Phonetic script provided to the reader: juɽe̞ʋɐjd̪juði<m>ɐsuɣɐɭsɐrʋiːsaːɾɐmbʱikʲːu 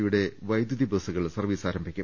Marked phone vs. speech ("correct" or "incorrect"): incorrect